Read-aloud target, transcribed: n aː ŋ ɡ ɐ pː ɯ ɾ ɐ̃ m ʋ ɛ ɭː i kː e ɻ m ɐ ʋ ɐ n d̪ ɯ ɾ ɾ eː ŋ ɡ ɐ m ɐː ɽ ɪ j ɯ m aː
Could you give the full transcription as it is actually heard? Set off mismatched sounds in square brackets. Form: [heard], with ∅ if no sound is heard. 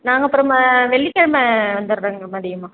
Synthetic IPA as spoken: n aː ŋ ɡ ɐ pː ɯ ɾ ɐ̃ m ʋ ɛ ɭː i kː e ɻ m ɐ ʋ ɐ n d̪ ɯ ɾ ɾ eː ŋ ɡ ɐ m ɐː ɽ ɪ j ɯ m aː